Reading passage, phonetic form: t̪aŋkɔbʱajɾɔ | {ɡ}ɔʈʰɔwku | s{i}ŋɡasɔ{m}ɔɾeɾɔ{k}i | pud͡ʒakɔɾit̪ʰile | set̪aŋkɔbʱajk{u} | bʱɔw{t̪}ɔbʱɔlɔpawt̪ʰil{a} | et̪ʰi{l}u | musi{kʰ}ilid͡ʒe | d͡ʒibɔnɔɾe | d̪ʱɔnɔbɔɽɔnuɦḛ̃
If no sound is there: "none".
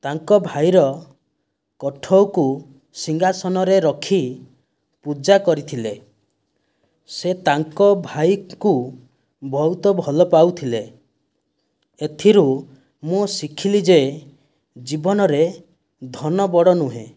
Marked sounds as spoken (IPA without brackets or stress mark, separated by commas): k, i, n, kʰ, u, t̪, e, ɾ, kʰ